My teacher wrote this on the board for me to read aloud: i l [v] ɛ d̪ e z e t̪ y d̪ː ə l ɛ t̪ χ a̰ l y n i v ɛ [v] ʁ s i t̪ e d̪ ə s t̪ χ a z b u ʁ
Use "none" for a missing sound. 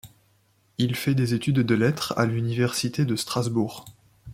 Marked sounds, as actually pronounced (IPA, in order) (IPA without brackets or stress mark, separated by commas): f, none